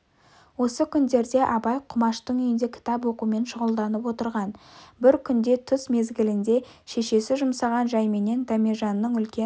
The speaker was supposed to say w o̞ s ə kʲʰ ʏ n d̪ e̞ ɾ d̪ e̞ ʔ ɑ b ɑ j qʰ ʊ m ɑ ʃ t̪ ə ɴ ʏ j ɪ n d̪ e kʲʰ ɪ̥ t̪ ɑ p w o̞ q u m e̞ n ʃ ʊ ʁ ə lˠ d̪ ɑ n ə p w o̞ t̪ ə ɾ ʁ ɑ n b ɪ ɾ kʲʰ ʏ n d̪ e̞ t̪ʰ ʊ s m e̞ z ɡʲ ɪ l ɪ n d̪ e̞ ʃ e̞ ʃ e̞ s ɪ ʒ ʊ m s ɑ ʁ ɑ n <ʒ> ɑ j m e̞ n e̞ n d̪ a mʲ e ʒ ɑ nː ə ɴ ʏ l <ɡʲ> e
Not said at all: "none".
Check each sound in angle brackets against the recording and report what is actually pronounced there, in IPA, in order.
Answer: ʒ, kʲ

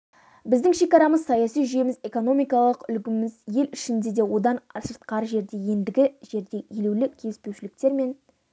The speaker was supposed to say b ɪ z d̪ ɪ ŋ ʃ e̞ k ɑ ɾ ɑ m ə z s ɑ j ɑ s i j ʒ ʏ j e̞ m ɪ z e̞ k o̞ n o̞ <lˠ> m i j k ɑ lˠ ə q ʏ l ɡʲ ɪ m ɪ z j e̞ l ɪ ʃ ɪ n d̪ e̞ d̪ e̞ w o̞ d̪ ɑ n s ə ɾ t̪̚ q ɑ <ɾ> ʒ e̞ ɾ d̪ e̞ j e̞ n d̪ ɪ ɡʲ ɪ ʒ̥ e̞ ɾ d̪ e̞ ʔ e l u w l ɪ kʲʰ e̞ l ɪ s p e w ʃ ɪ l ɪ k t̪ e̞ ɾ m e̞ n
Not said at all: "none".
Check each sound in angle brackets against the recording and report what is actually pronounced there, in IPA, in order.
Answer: none, ɾ

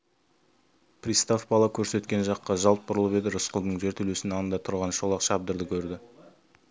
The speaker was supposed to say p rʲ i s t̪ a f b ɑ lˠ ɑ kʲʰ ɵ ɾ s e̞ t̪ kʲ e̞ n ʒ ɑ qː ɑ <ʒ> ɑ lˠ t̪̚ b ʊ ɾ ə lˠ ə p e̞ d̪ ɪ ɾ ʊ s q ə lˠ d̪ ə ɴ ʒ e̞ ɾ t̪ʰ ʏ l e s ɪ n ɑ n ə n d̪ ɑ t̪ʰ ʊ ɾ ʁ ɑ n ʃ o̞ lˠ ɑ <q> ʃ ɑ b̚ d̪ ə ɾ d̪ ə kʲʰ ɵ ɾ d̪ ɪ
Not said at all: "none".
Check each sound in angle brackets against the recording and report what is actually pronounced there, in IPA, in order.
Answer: ʒ, q

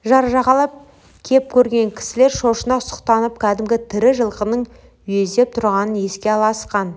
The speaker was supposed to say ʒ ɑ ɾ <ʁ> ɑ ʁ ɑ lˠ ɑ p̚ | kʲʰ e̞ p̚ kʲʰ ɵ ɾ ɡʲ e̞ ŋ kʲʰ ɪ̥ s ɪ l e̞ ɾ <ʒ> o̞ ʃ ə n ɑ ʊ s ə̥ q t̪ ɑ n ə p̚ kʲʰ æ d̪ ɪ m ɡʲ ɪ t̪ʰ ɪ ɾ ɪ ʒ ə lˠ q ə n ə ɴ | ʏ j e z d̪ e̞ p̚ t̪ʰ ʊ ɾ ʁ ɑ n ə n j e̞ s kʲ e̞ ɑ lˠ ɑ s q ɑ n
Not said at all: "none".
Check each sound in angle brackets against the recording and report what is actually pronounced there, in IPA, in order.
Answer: ʒ, ʃ

